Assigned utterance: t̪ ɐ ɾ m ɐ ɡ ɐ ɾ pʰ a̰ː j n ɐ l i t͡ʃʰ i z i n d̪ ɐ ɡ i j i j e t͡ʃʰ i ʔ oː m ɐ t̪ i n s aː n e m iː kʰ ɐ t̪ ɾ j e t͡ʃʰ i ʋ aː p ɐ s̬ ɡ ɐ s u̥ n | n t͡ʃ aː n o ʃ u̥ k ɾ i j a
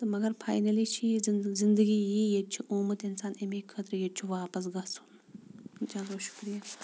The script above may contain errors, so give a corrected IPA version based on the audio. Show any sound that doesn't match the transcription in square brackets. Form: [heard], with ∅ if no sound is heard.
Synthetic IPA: t̪ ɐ [∅] m ɐ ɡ ɐ ɾ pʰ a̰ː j n ɐ l i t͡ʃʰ i z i n d̪ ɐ ɡ i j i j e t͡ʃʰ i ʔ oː m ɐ t̪ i n s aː n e m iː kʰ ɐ t̪ ɾ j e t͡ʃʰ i ʋ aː p ɐ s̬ ɡ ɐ s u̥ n | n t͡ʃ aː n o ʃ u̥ k ɾ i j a